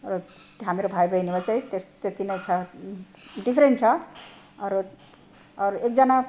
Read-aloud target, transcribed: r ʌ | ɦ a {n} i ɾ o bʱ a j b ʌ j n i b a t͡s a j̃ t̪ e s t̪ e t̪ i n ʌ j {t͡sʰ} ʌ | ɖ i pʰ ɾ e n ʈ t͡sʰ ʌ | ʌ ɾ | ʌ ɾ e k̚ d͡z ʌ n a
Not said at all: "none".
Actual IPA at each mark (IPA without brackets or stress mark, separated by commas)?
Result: m, t͡sʰ